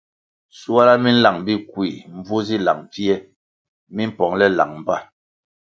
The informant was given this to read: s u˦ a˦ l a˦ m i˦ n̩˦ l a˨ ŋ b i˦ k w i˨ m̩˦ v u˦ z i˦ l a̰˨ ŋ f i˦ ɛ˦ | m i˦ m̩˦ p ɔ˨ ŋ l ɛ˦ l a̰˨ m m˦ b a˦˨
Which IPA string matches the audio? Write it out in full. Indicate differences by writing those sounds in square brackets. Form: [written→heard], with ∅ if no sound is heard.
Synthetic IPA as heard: s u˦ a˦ l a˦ m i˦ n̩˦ l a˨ ŋ b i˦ k w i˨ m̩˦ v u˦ z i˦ l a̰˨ ŋ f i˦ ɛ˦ | m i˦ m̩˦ p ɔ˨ ŋ l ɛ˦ l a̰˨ [m→ŋ] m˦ b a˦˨